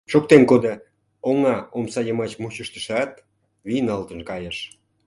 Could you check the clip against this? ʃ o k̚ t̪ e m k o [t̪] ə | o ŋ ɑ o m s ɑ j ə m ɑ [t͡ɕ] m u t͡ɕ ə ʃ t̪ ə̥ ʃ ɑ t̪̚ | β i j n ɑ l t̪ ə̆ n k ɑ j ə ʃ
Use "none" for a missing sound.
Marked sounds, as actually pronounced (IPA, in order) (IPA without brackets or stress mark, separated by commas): d̪, t͡ɕ